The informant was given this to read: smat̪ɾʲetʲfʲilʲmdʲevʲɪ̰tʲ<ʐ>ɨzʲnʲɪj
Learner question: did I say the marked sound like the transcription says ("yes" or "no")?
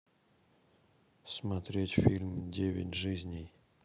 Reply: yes